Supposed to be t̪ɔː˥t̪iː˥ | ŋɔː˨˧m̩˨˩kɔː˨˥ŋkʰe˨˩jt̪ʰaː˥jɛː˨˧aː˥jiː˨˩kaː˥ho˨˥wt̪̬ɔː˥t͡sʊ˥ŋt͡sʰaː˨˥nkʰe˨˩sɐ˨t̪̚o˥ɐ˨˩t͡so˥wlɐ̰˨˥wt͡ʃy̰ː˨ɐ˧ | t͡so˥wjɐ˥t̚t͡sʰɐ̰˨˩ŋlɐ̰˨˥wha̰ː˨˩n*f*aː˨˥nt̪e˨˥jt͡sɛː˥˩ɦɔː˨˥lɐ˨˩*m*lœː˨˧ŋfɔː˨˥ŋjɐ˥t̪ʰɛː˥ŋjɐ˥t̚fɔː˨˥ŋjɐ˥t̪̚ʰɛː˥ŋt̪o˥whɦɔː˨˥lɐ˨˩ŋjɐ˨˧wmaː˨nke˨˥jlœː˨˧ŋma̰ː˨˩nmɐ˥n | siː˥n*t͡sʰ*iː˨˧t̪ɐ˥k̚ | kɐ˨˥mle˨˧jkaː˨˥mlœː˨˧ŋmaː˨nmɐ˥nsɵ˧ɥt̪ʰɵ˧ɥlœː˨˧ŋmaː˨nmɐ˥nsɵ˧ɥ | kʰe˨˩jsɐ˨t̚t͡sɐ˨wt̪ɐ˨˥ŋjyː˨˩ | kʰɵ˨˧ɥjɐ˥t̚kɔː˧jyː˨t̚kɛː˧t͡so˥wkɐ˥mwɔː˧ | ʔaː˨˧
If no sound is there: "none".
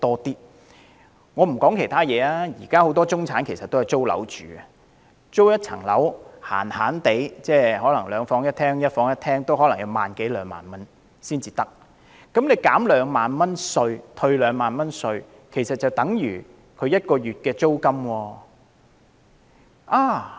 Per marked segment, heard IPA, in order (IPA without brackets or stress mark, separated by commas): h, ŋ, t͡s